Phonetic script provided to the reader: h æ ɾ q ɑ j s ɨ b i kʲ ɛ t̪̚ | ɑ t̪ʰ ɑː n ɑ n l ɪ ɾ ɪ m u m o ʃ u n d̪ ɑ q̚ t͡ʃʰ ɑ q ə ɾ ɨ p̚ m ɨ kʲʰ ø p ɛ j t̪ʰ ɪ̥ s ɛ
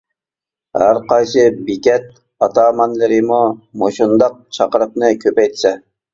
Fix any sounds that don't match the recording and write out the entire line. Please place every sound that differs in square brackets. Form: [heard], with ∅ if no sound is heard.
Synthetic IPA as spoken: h æ ɾ q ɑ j s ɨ b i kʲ ɛ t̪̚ | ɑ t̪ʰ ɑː [m] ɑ n l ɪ ɾ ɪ m u m o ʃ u n d̪ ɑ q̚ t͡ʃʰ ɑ q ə ɾ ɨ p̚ [n] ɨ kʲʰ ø p ɛ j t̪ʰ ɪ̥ s ɛ